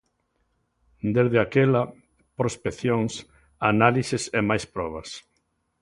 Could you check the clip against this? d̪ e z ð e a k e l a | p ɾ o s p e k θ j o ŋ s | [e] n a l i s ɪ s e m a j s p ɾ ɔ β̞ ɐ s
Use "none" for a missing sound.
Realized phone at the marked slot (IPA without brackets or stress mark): a